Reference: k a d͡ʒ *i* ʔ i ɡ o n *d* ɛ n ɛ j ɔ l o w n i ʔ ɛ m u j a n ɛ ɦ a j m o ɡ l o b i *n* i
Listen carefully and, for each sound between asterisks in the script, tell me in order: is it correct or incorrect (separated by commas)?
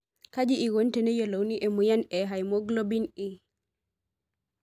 correct, incorrect, correct